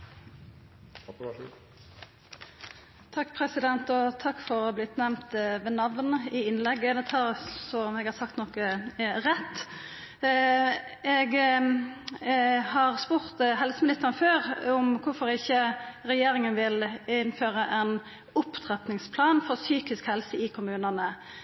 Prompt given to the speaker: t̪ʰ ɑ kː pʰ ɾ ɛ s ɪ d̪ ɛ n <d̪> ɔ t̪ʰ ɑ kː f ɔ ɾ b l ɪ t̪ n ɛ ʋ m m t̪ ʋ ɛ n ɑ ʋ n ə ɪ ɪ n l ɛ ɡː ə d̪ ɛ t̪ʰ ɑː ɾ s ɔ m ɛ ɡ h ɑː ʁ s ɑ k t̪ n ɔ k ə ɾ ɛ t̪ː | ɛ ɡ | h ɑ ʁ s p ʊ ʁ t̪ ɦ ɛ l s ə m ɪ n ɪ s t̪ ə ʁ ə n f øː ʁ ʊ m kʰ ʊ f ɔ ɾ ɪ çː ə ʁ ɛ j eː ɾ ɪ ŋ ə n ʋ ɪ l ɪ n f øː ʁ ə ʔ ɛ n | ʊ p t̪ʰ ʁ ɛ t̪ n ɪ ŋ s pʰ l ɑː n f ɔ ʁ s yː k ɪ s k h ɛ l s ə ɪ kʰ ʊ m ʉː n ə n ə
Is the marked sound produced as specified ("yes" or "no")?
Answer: no